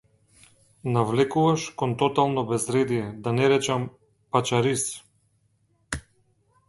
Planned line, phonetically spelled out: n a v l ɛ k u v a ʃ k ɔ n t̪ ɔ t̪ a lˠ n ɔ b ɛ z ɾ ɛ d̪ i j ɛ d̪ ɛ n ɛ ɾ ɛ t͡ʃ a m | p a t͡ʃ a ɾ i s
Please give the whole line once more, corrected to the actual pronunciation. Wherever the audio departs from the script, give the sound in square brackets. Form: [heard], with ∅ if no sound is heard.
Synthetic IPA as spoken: n a v l ɛ k u v a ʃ k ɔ n t̪ ɔ t̪ a lˠ n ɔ b ɛ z ɾ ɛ d̪ i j ɛ d̪ [a] n ɛ ɾ ɛ t͡ʃ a m | p a t͡ʃ a ɾ i s